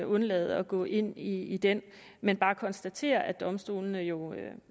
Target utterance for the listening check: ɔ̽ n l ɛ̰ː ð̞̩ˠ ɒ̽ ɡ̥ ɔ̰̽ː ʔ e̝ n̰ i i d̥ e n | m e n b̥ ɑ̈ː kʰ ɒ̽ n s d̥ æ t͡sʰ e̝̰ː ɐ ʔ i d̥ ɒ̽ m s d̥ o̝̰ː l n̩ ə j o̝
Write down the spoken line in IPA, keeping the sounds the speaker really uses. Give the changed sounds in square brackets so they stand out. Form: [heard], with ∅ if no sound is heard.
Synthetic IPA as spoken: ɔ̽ n l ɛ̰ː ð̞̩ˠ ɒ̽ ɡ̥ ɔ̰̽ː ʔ e̝ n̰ i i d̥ e n | m e n b̥ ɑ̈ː kʰ ɒ̽ n s d̥ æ t͡sʰ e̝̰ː ɐ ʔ [æ] d̥ ɒ̽ m s d̥ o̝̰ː l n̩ ə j o̝